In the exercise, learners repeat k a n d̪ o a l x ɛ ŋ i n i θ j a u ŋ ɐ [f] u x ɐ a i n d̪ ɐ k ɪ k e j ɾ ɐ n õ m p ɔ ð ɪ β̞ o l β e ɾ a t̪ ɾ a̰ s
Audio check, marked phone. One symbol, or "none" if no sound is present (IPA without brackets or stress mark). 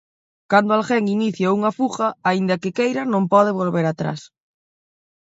f